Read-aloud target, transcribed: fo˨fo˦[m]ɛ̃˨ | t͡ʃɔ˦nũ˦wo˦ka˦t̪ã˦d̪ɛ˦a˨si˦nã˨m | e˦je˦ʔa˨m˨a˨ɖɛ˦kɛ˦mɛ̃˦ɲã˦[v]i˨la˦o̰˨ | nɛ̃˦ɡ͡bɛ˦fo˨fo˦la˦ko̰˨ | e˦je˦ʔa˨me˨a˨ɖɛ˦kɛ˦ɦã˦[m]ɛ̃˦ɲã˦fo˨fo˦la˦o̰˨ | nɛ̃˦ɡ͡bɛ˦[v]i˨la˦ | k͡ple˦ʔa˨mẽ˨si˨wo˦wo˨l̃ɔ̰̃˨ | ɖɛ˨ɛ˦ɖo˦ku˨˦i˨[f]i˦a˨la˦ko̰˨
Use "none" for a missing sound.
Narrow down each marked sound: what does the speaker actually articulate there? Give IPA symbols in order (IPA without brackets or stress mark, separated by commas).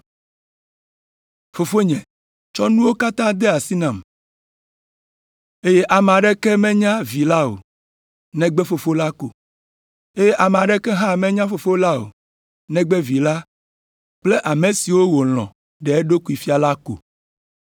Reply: ɲ, v, m, v, f